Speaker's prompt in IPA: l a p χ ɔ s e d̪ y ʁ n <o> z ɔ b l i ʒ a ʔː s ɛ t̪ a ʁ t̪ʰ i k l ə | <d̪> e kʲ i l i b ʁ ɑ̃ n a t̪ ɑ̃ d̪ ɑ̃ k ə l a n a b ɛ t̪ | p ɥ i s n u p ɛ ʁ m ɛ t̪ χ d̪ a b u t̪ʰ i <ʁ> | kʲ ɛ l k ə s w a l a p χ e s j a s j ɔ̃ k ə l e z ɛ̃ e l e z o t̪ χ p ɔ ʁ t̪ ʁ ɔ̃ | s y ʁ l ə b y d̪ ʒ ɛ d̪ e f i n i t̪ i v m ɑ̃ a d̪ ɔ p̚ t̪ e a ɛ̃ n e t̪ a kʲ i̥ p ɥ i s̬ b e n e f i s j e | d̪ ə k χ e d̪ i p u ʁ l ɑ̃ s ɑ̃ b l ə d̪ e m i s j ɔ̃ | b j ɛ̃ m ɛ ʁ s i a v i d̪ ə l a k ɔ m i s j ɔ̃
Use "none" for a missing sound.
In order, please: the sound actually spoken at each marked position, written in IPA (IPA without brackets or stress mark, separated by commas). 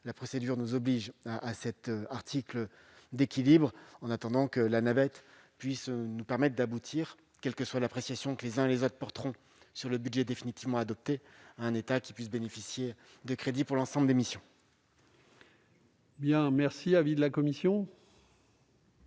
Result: u, d̪, ʁ